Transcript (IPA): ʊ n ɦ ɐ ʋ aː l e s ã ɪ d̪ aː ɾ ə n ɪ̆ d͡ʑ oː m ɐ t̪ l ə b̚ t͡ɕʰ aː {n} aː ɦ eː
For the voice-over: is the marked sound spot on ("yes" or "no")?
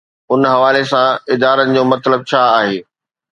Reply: no